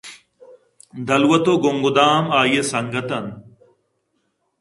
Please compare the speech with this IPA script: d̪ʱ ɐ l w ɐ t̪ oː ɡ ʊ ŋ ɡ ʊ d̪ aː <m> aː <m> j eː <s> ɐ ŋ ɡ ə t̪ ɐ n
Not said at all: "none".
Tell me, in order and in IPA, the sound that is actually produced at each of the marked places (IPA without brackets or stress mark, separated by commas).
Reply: m, none, s